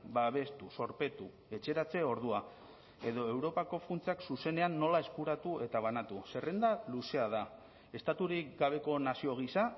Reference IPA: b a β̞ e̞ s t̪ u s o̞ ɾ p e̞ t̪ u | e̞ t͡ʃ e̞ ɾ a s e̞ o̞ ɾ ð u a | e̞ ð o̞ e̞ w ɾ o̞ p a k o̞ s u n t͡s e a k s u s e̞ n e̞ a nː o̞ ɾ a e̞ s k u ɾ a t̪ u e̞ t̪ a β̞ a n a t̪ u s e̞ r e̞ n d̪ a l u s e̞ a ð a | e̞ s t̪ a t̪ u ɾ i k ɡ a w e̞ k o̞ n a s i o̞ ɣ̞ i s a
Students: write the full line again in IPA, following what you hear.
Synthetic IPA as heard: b a β̞ e̞ s t̪ u s o̞ ɾ p e̞ t̪ u | e̞ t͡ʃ e̞ ɾ a t͡s e̞ o̞ ɾ ð u a | e̞ ð o̞ e̞ w ɾ o̞ p a k o̞ f u n t͡s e a k s u s e̞ n e̞ a nː o̞ l a e̞ s k u ɾ a t̪ u e̞ t̪ a β̞ a n a t̪ u s e̞ r e̞ n d̪ a l u s e̞ a ð a | e̞ s t̪ a t̪ u ɾ i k ɡ a β e̞ k o̞ n a s i o̞ ɣ̞ i s a